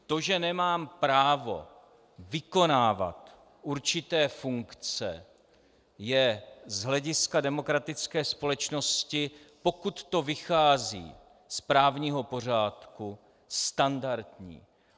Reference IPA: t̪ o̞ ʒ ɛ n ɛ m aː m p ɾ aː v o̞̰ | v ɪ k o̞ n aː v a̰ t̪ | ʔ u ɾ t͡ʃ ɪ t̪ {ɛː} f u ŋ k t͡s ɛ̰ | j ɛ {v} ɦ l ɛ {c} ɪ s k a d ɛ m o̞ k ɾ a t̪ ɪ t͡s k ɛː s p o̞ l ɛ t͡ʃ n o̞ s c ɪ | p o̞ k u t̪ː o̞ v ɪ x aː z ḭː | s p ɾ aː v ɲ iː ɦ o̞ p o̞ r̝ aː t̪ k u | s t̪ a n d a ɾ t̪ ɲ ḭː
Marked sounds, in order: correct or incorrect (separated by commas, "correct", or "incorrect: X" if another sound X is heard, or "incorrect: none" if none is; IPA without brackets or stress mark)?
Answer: correct, incorrect: z, incorrect: ɟ